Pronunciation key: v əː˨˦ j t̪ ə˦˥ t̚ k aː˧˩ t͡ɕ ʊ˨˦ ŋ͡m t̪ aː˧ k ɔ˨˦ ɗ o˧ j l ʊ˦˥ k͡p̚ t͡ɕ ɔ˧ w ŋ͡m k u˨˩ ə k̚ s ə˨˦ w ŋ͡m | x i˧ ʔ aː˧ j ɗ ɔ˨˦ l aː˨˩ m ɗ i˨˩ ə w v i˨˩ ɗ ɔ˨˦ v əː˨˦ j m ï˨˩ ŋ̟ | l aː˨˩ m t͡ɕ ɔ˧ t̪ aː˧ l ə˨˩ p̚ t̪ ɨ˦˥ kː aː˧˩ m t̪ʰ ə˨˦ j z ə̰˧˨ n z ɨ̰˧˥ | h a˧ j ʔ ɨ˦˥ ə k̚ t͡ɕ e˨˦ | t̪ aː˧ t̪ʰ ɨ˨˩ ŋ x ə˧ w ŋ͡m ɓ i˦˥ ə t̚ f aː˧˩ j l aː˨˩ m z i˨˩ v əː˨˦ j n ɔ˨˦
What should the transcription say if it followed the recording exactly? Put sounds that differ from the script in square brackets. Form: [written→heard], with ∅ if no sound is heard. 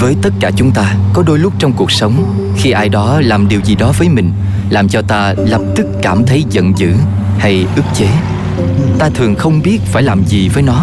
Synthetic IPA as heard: v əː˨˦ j t̪ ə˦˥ t̚ k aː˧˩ t͡ɕ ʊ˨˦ ŋ͡m t̪ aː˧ k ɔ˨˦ ɗ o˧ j l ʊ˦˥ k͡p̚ t͡ɕ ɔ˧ w ŋ͡m k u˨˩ ə k̚ s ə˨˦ w ŋ͡m | x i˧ ʔ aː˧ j ɗ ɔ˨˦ l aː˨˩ m ɗ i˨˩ ə w [v→z] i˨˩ ɗ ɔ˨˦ v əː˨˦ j m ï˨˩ ŋ̟ | l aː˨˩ m t͡ɕ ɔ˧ t̪ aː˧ l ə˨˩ p̚ t̪ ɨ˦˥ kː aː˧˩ m t̪ʰ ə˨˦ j z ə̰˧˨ n z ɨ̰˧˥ | h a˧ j ʔ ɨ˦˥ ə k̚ t͡ɕ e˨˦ | t̪ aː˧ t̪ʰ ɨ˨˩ ŋ x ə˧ w ŋ͡m ɓ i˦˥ ə t̚ f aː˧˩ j l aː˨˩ m z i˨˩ v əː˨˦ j n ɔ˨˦